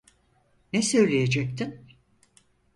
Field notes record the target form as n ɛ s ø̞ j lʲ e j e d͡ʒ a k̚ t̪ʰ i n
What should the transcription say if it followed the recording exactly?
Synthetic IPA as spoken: n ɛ s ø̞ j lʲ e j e d͡ʒ ɛ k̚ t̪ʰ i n